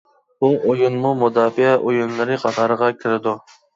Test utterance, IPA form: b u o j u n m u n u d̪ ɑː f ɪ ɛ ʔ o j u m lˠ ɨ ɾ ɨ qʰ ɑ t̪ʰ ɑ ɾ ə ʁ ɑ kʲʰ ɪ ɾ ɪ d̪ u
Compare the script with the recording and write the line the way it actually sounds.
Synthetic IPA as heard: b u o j u n m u m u d̪ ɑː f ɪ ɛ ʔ o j u n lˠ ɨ ɾ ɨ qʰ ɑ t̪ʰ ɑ ɾ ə ʁ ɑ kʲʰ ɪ ɾ ɪ d̪ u

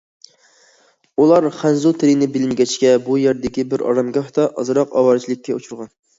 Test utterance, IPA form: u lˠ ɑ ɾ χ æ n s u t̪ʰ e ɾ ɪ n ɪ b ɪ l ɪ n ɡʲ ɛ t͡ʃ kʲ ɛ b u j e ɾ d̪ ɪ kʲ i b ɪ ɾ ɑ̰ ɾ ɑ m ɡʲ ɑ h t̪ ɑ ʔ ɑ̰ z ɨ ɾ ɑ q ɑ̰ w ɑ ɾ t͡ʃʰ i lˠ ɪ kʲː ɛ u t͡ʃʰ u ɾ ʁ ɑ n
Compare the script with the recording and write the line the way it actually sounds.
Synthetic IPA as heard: u lˠ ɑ ɾ χ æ n z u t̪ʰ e ɾ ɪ n ɪ b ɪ l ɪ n ɡʲ ɛ t͡ʃ kʲ ɛ b u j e ɾ d̪ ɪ kʲ i b ɪ ɾ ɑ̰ ɾ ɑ m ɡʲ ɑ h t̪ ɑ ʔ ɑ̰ z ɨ ɾ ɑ q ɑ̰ w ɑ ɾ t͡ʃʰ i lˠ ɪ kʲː ɛ u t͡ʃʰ u ɾ ʁ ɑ n

